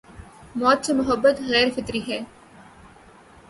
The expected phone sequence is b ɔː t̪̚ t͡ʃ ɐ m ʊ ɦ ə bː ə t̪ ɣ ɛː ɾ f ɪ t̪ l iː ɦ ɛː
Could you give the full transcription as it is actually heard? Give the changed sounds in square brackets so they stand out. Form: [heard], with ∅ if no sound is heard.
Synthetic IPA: [m] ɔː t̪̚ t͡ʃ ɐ m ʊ ɦ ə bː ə t̪ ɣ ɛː ɾ f ɪ t̪ [ɾ] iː ɦ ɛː